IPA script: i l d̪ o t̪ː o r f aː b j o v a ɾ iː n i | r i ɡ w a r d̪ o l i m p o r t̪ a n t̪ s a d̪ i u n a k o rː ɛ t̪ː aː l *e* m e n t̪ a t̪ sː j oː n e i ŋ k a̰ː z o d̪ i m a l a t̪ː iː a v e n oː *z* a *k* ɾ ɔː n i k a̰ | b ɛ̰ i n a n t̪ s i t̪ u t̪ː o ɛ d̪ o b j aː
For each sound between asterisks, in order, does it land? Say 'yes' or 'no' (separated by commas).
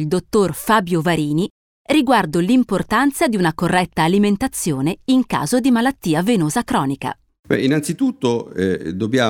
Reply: no, yes, yes